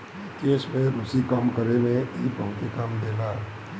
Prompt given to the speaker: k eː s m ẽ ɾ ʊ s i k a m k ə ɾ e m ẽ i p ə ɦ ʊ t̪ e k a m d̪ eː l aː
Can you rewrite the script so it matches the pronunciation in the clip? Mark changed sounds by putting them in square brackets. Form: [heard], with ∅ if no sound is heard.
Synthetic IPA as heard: k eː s m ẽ ɾ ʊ s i k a m k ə ɾ e m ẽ i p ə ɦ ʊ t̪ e k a m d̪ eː l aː